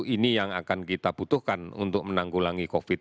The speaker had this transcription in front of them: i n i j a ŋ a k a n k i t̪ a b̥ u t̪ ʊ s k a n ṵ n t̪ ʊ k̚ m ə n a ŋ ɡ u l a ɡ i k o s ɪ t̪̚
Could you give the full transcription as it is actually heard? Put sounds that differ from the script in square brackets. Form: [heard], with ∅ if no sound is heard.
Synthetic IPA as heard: i n i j a ŋ a k a n k i t̪ a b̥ u t̪ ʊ [h] k a n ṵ n t̪ ʊ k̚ m ə n a ŋ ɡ u l a [ŋ] i k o [f] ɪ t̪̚

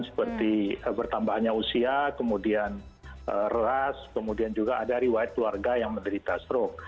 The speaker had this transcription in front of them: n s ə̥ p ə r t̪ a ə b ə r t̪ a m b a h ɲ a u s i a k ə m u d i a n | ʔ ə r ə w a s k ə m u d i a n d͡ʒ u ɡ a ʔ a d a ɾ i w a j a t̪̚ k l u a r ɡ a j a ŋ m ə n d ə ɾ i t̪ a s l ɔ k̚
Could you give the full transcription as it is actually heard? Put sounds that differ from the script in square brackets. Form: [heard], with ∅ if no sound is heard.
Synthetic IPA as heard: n s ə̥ p ə r t̪ [i] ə b ə r t̪ a m b a h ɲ a u s i a k ə m u d i a n | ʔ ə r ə [∅] a s k ə m u d i a n d͡ʒ u ɡ a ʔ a d a ɾ i w a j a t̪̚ k l u a r ɡ a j a ŋ m ə n d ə ɾ i t̪ a s [ɾ] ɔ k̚

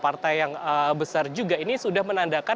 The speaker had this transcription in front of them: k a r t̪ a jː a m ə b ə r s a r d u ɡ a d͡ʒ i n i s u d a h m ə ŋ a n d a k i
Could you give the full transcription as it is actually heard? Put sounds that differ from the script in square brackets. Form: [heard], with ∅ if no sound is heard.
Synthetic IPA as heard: [p] a r t̪ a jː a [ŋ] ə b ə [∅] s a r [d͡ʒ] u ɡ a [∅] i n i s u d a h m ə [n] a n d a k [a]

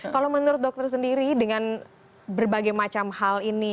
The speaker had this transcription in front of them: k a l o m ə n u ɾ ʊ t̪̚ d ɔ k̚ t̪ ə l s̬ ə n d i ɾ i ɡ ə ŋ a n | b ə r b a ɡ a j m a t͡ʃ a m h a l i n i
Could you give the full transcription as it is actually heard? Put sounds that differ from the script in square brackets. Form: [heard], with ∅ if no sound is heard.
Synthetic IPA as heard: k a l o m ə n u ɾ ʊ t̪̚ d ɔ k̚ t̪ ə [r] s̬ ə n d i ɾ i [d] ə ŋ a n | b ə r b a ɡ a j m a t͡ʃ a m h a l i n i

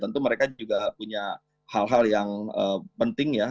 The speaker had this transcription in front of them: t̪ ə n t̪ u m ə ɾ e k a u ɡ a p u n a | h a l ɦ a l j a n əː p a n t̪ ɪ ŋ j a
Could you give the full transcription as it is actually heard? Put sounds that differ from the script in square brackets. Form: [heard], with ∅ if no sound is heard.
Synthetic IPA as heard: t̪ ə n t̪ u m ə ɾ e k a u ɡ a p u [ɲ] a | h a l ɦ a l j a [ŋ] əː p [ə] n t̪ ɪ ŋ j a

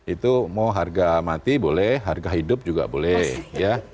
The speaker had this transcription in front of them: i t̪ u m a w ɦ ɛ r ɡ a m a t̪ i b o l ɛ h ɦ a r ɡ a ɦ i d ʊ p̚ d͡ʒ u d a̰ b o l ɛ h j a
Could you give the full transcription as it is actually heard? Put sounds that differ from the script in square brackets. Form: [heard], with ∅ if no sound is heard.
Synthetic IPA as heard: i t̪ u m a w ɦ [a] r ɡ a m a t̪ i b o l ɛ h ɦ a r ɡ a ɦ i d ʊ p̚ d͡ʒ u [ɡ] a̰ b o l ɛ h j a

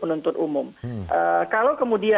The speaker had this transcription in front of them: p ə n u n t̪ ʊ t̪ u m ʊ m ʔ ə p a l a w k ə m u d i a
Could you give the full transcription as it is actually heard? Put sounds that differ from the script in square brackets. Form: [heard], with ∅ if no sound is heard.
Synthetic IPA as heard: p ə n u n t̪ ʊ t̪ u m ʊ m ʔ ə [k] a l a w k ə m u d i a

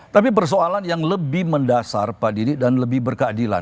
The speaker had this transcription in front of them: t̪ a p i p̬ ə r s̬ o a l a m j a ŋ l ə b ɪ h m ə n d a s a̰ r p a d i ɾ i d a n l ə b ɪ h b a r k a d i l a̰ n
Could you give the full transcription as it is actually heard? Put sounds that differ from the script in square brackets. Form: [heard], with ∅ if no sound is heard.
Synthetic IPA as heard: t̪ a p i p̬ ə r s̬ o a l a [n] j a ŋ l ə b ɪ h m ə n d a s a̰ r p a d i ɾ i d a n l ə b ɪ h b [ə] r k a d i l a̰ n

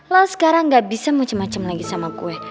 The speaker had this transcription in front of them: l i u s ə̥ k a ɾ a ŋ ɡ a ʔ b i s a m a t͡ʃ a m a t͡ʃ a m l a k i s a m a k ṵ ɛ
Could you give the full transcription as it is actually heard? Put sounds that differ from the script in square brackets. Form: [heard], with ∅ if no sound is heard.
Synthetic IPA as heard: l [a] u s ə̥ k a ɾ a ŋ ɡ a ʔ b i s a m a t͡ʃ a m a t͡ʃ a m l a [ɡ] i s a m a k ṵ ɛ

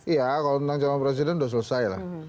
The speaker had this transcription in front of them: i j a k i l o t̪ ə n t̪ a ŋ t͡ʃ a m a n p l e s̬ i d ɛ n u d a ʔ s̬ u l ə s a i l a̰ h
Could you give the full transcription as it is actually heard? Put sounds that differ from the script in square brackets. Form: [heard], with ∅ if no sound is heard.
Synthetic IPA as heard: i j a k [a] l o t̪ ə n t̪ a ŋ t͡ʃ a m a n p [ɾ] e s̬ i d ɛ n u d a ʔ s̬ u l ə s a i l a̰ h

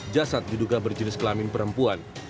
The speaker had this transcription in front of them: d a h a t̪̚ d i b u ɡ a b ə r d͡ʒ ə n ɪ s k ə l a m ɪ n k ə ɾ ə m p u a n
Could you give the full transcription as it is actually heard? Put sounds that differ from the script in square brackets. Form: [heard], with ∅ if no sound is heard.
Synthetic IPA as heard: [d͡ʒ] a [s] a t̪̚ d i [d] u ɡ a b ə r d͡ʒ ə n ɪ s k ə l a m ɪ n [p] ə ɾ ə m p u a n

